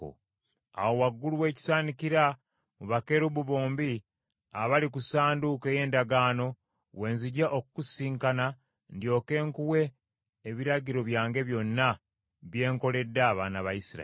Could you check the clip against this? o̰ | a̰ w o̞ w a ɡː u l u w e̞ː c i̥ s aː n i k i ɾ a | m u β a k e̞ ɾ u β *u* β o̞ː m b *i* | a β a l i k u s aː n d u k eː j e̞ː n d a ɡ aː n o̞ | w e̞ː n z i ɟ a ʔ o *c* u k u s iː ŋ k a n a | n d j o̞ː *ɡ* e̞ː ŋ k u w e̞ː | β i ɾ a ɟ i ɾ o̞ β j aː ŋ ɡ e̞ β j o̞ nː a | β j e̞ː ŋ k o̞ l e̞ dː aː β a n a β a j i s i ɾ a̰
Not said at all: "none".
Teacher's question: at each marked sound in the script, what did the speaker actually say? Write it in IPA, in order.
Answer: u, i, k, k

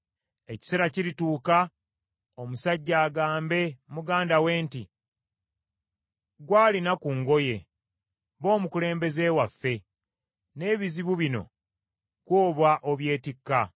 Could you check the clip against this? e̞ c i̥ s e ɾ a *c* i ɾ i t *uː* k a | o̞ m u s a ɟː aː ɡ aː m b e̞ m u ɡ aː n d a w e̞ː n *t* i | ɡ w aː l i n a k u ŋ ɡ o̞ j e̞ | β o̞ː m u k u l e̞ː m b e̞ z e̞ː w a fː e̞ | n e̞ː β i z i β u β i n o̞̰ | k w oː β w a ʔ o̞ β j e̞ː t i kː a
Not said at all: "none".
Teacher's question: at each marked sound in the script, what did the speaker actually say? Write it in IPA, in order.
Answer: c, uː, t

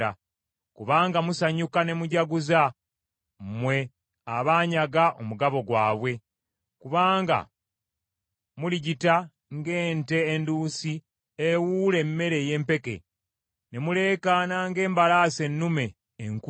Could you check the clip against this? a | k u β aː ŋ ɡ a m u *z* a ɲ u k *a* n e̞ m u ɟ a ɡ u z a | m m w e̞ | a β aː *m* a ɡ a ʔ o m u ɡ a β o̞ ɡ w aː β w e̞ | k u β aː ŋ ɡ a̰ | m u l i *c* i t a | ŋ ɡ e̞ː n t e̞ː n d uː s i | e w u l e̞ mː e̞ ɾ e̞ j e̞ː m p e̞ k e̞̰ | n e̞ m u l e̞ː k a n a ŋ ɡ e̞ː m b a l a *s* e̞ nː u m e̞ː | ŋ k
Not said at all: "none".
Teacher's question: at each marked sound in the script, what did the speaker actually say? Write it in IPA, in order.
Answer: s, a, ɲ, ɟ, s

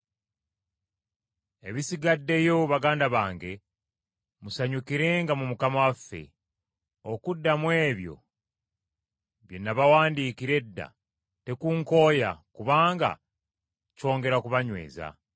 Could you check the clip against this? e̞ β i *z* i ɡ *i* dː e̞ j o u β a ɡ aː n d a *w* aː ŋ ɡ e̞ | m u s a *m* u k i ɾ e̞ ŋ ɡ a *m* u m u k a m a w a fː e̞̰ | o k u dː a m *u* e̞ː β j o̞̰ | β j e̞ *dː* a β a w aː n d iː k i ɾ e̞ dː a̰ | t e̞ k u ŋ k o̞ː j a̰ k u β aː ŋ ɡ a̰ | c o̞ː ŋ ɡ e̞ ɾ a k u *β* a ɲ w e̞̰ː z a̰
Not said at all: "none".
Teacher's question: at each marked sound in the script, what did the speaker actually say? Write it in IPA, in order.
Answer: s, a, β, ɲ, m, w, nː, β

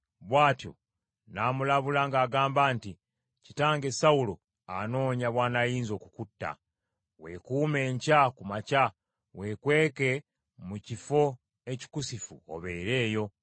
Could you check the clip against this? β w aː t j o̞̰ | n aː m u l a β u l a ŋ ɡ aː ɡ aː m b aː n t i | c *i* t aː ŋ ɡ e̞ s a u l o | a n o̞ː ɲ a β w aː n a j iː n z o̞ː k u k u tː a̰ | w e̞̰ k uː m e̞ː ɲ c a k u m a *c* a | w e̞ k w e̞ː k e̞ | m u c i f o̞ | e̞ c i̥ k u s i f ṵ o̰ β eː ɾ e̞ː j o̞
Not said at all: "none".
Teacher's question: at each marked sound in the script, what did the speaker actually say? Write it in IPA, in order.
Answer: i, c

